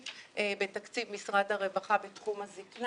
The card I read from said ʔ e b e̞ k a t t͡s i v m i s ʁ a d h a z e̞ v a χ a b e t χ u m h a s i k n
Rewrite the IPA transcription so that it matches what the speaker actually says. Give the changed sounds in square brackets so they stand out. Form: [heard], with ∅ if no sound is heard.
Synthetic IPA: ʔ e b e̞ [t] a [k] t͡s i v m i s ʁ a d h a [ʁ] e̞ v a χ a b e t χ u m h a [z] i k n